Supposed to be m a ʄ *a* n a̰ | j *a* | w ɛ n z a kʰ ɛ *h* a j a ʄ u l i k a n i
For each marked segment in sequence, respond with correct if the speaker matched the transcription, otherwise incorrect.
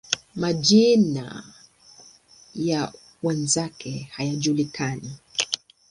incorrect: i, correct, correct

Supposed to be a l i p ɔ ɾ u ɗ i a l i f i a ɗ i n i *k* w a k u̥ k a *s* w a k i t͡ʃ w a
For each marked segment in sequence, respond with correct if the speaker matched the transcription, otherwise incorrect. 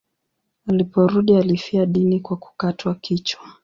correct, incorrect: t

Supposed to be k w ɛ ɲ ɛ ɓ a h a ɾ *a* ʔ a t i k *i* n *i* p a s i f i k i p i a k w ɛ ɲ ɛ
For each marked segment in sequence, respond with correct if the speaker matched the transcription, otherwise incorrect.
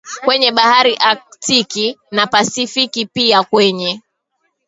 incorrect: i, correct, incorrect: a

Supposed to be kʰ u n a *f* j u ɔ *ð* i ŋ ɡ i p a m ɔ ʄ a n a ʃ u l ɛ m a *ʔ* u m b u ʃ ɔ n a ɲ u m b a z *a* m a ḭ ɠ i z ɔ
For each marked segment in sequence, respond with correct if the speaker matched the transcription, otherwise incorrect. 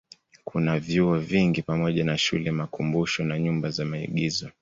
incorrect: v, incorrect: v, incorrect: k, correct

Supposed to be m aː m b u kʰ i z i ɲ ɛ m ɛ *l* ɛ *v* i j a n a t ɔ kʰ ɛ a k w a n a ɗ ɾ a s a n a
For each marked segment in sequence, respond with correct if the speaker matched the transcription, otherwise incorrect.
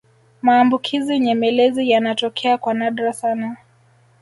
correct, incorrect: z

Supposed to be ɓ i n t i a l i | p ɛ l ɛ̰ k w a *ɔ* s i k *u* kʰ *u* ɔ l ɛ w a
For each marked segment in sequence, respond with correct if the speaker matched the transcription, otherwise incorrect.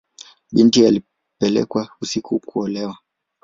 incorrect: u, correct, correct

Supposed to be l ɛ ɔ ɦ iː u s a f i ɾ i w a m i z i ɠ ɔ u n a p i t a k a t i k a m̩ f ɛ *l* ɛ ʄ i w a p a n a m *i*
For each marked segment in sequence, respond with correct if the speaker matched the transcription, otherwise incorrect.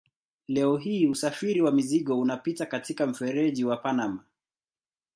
incorrect: ɾ, incorrect: a

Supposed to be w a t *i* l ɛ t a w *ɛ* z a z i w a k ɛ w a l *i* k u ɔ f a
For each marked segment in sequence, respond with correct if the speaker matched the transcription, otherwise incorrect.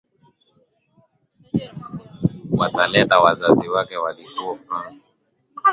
incorrect: a, incorrect: a, correct

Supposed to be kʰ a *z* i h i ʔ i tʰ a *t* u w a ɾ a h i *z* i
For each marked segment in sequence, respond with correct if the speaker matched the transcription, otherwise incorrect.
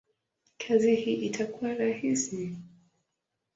correct, incorrect: k, incorrect: s

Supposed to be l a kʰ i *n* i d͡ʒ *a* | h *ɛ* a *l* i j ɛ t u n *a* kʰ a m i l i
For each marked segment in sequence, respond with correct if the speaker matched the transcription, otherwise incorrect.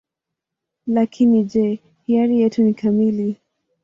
correct, incorrect: ɛ, incorrect: i, incorrect: ɾ, incorrect: i

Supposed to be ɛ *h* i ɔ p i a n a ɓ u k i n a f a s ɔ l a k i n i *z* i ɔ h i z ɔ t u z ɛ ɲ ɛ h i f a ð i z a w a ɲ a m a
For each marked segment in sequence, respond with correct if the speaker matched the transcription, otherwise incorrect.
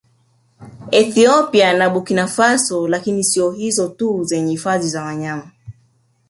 incorrect: θ, incorrect: s

